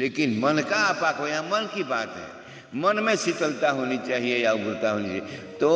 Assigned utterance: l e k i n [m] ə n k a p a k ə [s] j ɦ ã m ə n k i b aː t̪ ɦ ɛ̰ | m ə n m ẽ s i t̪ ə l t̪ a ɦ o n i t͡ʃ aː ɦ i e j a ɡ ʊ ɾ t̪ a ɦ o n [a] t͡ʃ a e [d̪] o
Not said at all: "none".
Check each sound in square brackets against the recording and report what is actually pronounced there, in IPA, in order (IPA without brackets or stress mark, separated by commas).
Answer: m, none, i, t̪